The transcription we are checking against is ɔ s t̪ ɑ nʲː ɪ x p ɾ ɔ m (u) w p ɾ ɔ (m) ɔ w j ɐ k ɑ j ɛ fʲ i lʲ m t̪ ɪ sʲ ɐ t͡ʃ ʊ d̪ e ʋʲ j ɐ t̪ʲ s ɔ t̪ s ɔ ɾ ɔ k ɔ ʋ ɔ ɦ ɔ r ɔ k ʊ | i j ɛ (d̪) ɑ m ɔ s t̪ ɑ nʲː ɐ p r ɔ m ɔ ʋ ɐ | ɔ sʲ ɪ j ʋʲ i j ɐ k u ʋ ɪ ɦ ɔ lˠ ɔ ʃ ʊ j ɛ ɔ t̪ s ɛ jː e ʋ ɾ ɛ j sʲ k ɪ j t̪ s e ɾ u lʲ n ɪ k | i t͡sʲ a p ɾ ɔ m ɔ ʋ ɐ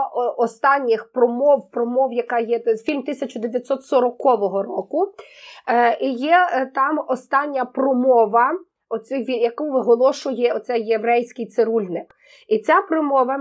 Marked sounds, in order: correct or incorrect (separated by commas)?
incorrect, correct, incorrect